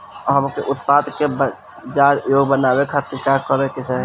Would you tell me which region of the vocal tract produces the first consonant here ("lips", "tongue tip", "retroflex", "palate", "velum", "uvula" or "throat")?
throat